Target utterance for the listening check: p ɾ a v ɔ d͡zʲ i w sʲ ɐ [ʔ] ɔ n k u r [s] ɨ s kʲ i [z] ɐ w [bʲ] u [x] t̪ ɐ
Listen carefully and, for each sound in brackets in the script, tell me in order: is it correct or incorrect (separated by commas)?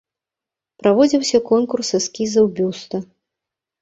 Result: incorrect, correct, correct, correct, incorrect